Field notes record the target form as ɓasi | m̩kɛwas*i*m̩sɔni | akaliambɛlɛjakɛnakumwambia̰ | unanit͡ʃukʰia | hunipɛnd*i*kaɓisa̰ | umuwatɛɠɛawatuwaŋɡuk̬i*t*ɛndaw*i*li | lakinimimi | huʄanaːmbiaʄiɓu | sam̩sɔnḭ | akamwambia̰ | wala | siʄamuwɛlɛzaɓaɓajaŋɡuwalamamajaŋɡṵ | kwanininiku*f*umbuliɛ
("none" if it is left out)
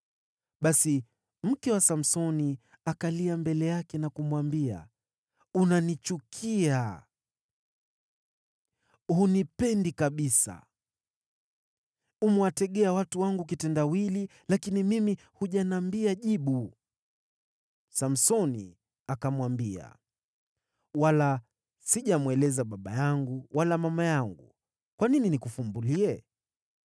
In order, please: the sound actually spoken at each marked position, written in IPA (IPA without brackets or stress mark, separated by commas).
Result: a, i, t, i, f